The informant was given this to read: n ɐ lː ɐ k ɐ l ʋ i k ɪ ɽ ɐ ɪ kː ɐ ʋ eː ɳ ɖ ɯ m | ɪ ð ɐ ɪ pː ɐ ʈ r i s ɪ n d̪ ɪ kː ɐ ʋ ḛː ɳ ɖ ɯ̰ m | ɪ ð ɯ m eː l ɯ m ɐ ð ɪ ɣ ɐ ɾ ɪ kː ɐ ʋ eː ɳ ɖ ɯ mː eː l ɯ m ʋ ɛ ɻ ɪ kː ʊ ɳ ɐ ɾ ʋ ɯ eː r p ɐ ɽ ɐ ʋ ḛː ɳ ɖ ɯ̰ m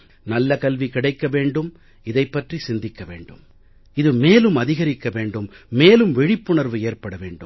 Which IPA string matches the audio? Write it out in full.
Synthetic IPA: n ɐ lː ɐ k ɐ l ʋ i k ɪ ɽ ɐ ɪ kː ɐ ʋ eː ɳ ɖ ɯ m | ɪ ð ɐ ɪ pː ɐ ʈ r i s ɪ n d̪ ɪ kː ɐ ʋ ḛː ɳ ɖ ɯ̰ m | ɪ ð ɯ m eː l ɯ m ɐ ð ɪ ɣ ɐ ɾ ɪ kː ɐ ʋ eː ɳ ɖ ɯ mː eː l ɯ m ʋ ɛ ɻ ɪ pː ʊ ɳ ɐ ɾ ʋ ɯ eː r p ɐ ɽ ɐ ʋ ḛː ɳ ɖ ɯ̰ m